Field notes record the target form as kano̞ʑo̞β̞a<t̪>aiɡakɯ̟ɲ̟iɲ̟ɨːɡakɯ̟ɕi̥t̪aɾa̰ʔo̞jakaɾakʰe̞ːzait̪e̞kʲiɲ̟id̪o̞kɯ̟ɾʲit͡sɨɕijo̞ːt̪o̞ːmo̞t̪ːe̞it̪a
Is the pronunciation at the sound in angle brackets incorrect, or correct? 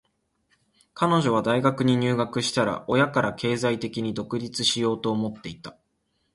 incorrect